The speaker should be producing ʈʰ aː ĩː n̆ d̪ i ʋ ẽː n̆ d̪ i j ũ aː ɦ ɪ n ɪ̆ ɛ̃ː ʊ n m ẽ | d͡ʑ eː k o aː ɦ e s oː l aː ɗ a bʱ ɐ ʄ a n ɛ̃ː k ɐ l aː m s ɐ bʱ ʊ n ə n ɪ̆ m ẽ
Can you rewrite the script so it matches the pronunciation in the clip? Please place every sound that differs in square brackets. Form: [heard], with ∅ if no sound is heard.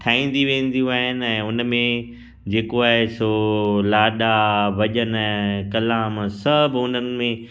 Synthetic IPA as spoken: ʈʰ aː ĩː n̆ d̪ i ʋ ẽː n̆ d̪ i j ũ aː ɦ ɪ n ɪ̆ ɛ̃ː ʊ n m ẽ | d͡ʑ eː k o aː ɦ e s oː l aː ɗ a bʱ ɐ ʄ [ə] n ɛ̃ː k ɐ l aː m s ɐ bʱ ʊ n ə n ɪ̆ m ẽ